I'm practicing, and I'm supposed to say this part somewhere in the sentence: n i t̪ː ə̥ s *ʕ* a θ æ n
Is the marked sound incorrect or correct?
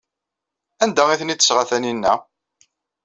incorrect